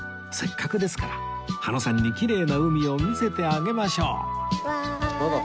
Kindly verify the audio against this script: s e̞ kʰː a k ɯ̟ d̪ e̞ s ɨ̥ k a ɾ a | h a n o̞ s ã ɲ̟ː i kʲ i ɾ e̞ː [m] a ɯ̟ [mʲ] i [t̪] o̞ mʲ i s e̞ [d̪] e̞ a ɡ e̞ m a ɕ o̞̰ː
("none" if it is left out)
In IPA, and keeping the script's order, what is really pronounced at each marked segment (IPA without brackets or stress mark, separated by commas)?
n, mʲ, none, t̪